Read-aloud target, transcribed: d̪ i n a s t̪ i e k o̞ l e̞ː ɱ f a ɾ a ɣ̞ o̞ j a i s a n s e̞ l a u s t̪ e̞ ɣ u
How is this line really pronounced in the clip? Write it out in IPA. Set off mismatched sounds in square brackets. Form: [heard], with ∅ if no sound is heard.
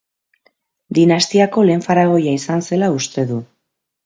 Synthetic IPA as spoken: d̪ i n a s t̪ i [a] k o̞ l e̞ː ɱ f a ɾ a ɣ̞ o̞ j a i s a n s e̞ l a u s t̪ e̞ [ð] u